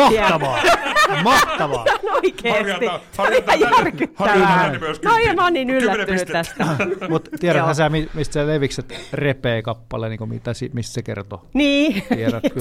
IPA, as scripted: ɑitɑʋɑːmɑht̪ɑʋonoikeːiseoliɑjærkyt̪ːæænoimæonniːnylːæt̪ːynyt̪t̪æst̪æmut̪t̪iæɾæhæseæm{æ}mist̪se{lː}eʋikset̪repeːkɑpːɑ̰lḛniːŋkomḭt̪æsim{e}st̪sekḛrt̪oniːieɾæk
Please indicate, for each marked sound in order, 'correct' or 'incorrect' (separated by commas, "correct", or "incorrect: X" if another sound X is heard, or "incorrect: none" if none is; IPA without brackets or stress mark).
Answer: incorrect: i, incorrect: l, incorrect: i